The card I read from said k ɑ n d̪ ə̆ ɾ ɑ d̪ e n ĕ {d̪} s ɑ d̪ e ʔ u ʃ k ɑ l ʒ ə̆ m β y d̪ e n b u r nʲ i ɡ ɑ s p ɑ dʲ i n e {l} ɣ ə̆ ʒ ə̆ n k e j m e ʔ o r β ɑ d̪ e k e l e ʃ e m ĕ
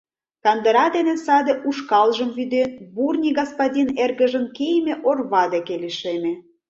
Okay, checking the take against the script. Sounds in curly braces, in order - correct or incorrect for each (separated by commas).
incorrect, incorrect